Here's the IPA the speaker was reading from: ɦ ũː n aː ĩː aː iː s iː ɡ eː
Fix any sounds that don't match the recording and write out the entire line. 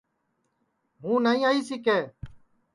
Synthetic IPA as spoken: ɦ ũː n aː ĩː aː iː s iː k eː

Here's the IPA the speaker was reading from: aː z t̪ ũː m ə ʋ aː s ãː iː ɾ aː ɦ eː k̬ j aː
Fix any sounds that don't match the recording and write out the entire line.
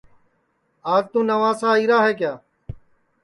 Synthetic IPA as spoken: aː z t̪ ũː n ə ʋ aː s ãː iː ɾ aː ɦ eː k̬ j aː

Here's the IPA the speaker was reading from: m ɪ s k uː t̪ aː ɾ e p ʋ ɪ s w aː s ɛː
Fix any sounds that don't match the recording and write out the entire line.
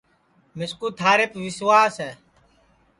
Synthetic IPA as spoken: m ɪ s k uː t̪ʰ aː ɾ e p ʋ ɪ s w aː s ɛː

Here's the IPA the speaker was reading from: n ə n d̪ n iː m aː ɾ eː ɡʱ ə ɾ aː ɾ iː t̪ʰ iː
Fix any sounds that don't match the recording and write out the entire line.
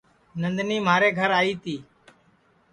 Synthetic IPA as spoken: n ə n d̪ n iː m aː ɾ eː ɡʱ ə ɾ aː iː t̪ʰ iː

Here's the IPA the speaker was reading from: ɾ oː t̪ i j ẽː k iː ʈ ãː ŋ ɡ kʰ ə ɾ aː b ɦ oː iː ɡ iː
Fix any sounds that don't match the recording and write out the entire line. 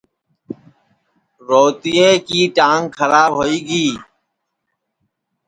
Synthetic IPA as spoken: ɾ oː t̪ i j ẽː k iː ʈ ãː ŋ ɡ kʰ ə ɾ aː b ɦ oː iː ɡ iː

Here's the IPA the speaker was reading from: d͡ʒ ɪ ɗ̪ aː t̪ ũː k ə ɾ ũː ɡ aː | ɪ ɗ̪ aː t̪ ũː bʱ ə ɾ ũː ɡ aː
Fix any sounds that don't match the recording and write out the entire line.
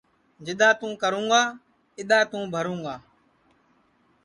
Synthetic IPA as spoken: d͡ʒ ɪ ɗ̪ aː t̪ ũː k ə ɾ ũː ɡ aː | ɪ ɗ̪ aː t̪ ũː bʱ ə ɾ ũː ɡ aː

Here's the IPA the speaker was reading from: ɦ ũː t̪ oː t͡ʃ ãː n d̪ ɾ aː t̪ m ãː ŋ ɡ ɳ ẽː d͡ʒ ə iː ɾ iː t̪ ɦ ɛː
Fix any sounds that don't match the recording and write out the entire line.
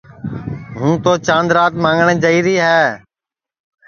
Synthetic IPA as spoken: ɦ ũː t̪ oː t͡ʃ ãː n d̪ ɾ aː t̪ m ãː ŋ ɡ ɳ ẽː d͡ʒ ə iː ɾ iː ɦ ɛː

